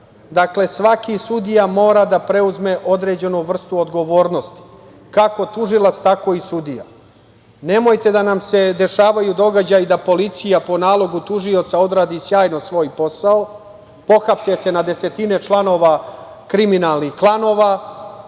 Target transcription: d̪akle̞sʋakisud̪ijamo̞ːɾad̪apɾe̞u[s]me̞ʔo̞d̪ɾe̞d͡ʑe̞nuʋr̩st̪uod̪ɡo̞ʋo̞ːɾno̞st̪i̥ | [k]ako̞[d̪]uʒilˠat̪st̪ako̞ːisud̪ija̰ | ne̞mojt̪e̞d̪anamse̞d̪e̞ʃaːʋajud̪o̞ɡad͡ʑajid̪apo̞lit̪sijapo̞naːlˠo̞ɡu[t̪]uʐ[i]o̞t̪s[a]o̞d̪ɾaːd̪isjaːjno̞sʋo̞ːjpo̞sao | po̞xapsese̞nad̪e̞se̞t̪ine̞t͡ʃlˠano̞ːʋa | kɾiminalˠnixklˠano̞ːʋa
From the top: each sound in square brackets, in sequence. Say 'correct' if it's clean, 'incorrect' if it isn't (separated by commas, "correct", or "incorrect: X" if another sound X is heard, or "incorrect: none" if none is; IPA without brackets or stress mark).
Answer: incorrect: z, correct, incorrect: t̪, correct, correct, correct